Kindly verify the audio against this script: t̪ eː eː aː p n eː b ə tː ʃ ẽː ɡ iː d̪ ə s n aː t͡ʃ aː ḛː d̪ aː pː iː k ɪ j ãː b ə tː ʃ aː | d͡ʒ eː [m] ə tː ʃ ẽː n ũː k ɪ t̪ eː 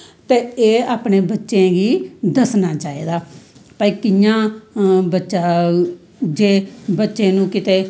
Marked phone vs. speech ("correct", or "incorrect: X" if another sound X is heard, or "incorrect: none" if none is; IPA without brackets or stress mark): incorrect: b